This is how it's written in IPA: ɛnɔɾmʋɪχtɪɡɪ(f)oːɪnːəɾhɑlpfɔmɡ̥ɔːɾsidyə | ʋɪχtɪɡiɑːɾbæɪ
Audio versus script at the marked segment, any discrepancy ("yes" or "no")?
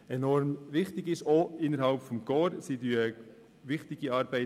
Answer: yes